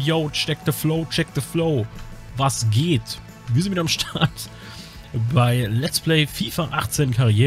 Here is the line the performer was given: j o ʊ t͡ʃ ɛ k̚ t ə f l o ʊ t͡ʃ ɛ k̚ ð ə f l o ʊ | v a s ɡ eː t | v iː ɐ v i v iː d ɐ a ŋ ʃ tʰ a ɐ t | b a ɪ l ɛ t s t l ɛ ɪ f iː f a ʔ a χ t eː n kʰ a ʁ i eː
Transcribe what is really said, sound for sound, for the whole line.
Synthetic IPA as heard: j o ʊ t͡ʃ ɛ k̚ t ə f l o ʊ t͡ʃ ɛ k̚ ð ə f l o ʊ | v a s ɡ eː t | v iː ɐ z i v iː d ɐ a m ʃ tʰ a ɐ t | b a ɪ l ɛ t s p l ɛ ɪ f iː f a ʔ a χ t͡s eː n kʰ a ʁ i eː